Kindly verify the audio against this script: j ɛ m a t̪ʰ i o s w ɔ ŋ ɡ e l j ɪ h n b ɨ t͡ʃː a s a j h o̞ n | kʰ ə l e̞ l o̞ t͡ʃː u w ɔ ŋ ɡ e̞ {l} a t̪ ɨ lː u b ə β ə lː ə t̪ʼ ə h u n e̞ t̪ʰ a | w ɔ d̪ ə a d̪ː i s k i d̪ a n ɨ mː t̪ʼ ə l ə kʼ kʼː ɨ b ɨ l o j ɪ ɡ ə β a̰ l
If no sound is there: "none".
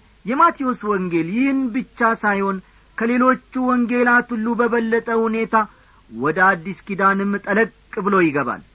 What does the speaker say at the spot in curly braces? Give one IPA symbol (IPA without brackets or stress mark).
l